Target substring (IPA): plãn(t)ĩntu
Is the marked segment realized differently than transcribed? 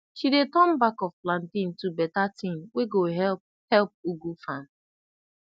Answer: no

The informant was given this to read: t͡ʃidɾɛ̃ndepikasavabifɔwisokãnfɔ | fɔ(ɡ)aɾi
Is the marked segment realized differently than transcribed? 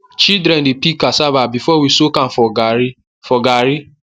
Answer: no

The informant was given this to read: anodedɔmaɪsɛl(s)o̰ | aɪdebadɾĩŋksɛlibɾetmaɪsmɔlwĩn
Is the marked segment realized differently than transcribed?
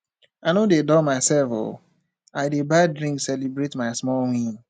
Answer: yes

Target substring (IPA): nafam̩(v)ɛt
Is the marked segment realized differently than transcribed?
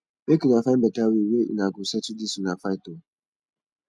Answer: yes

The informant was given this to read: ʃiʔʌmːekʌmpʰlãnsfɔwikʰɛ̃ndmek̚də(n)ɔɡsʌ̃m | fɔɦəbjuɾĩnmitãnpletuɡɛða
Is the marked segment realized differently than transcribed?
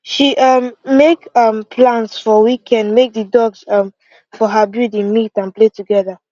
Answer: yes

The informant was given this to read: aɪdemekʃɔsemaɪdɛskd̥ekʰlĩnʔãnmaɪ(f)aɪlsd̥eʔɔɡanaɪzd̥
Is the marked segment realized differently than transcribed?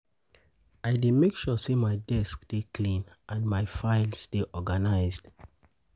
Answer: no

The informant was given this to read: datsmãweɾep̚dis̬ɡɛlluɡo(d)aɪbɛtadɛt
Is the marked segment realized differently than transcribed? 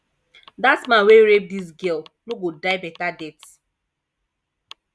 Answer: no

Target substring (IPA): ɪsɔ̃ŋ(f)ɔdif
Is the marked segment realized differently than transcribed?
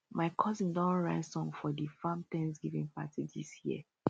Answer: no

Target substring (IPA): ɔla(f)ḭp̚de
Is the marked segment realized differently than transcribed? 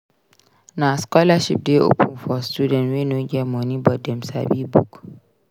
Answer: yes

